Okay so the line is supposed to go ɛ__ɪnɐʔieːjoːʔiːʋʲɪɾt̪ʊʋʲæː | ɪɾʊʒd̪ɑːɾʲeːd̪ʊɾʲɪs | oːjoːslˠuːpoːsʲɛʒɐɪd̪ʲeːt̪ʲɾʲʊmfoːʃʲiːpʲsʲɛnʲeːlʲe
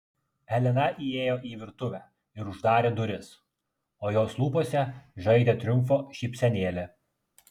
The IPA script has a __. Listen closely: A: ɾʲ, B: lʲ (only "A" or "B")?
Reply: B